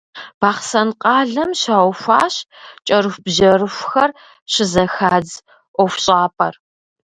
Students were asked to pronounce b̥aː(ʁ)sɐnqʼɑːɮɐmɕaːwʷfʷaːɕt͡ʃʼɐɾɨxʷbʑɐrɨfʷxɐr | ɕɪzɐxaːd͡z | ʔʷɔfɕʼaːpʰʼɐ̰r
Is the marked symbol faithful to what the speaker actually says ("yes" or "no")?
no